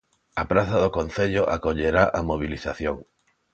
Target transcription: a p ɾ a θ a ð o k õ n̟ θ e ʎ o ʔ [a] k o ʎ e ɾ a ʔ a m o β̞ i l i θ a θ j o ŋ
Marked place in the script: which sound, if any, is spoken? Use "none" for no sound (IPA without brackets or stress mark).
a